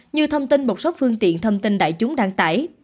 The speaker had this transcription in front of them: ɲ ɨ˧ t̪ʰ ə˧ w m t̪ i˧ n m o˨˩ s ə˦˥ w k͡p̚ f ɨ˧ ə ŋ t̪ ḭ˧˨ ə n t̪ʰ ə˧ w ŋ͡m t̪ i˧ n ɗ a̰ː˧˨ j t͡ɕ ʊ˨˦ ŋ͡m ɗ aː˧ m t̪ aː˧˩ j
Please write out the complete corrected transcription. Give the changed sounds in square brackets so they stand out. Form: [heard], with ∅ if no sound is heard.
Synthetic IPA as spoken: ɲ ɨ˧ t̪ʰ ə˧ w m t̪ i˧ n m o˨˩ s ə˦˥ w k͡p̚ f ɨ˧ ə ŋ t̪ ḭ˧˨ ə n t̪ʰ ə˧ w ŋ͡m t̪ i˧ n ɗ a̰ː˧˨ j t͡ɕ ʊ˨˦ ŋ͡m ɗ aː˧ [ŋ] t̪ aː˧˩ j